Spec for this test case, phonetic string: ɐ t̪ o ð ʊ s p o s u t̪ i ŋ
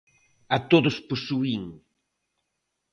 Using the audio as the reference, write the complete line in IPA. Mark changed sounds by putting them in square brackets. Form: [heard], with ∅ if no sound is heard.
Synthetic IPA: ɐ t̪ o ð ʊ s p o s u [∅] i ŋ